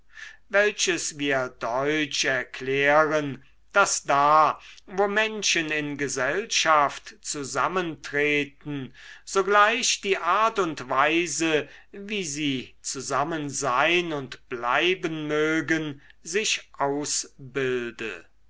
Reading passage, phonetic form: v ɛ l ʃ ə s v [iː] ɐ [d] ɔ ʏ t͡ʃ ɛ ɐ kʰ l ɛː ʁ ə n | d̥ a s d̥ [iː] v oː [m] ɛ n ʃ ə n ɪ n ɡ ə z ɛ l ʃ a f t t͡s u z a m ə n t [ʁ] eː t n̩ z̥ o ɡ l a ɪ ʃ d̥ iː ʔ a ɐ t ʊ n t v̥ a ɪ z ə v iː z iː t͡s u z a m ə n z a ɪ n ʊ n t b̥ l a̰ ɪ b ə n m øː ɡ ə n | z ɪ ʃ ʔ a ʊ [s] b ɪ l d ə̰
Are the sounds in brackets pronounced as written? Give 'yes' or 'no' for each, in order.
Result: yes, yes, no, yes, yes, yes

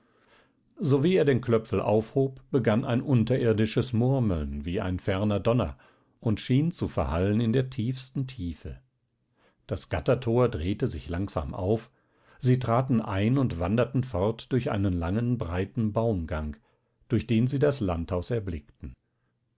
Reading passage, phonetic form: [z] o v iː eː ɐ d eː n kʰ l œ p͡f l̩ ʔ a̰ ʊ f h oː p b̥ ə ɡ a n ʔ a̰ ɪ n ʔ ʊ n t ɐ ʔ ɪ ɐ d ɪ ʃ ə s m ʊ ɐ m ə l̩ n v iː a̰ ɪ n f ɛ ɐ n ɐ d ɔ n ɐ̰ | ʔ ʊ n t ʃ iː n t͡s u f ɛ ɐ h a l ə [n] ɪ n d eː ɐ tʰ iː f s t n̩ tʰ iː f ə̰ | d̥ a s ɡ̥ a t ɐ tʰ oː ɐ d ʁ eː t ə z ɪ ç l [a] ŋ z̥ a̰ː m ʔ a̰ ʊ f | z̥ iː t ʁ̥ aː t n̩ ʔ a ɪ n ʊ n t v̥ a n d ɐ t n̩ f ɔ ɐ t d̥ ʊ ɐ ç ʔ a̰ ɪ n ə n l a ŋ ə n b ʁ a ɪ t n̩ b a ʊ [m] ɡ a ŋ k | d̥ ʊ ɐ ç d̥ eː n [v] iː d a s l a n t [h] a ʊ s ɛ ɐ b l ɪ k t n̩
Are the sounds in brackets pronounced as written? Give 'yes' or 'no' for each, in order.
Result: yes, yes, yes, yes, no, yes

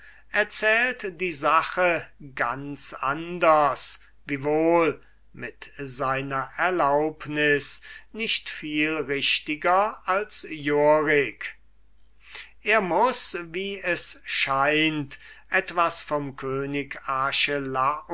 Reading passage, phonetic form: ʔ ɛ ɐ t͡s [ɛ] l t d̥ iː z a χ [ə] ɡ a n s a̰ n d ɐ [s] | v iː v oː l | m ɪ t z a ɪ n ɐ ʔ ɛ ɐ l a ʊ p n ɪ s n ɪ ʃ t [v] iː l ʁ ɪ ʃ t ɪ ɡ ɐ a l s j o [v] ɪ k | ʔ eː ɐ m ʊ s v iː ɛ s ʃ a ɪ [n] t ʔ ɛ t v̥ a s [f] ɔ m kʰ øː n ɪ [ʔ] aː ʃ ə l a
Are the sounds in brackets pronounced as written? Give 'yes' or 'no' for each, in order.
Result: no, yes, yes, no, no, yes, yes, no

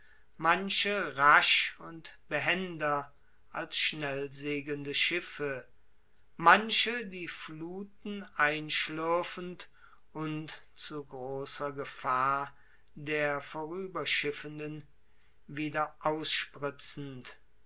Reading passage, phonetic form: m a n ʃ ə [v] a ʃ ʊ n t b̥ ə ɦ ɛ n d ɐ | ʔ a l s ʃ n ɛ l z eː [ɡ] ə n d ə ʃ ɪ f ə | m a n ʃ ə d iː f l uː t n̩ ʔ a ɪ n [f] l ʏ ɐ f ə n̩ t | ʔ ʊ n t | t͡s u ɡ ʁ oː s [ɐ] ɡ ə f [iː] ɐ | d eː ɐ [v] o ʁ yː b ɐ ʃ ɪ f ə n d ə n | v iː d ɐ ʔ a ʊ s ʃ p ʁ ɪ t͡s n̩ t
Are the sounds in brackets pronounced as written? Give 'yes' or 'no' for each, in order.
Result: no, yes, no, yes, no, no

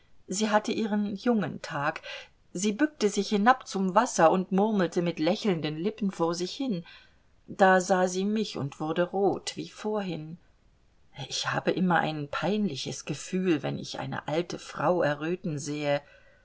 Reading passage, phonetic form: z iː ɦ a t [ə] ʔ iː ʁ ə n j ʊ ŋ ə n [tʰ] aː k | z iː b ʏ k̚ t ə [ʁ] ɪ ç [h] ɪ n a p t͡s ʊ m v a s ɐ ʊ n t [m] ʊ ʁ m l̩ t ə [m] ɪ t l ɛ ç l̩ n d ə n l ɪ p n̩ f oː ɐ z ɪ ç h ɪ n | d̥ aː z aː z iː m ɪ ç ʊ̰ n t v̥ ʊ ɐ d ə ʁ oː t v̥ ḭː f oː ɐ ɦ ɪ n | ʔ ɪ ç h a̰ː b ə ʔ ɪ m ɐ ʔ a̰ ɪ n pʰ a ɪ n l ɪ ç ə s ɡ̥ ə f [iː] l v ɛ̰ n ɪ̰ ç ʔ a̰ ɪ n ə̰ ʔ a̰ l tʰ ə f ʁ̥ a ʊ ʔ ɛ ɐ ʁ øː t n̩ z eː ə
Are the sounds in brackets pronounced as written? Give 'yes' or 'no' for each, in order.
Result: yes, yes, no, yes, yes, yes, no

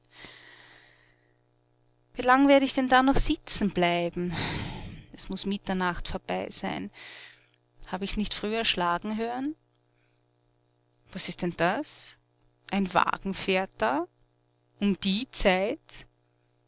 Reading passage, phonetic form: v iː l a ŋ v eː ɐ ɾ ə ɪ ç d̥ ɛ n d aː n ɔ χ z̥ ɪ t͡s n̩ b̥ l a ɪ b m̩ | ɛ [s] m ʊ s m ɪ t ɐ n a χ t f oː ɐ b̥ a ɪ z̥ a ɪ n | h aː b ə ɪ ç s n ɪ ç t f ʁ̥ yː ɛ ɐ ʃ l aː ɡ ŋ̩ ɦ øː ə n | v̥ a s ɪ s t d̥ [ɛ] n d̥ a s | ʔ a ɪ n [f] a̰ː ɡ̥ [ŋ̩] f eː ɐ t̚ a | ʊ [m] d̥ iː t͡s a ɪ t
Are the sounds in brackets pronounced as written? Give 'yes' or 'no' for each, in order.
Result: yes, yes, no, yes, yes

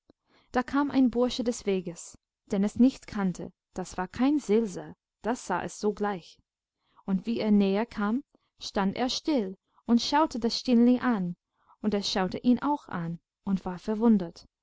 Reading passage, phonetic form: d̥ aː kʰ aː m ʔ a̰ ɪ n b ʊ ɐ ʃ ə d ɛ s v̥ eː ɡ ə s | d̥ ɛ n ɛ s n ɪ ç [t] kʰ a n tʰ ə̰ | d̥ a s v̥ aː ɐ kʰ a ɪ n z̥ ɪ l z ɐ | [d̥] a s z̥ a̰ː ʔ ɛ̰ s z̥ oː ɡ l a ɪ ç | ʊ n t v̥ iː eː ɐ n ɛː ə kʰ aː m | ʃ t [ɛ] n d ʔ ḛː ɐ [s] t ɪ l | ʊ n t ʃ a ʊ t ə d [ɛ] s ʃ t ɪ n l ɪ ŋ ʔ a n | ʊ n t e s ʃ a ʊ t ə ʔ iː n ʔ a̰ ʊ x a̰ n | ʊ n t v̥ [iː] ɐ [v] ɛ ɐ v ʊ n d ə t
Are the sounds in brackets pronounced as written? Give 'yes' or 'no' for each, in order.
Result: yes, yes, no, no, no, no, no

